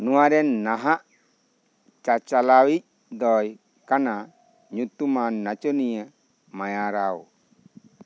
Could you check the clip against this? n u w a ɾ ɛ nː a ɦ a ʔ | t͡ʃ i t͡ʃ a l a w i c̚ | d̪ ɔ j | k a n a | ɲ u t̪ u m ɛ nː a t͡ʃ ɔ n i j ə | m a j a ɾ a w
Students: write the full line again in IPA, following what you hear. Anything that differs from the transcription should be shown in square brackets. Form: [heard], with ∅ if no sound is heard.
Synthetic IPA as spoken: n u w a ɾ ɛ nː a ɦ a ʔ | t͡ʃ [a] t͡ʃ a l a w i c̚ | d̪ ɔ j | k a n a | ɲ u t̪ u m [a] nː a t͡ʃ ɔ n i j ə | m a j a ɾ a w